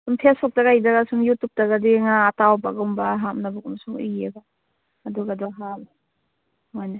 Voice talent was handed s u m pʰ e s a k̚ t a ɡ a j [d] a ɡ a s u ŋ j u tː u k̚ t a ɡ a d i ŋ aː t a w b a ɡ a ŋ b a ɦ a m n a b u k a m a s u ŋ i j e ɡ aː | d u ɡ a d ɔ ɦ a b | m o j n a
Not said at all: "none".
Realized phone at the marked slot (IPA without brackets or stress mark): d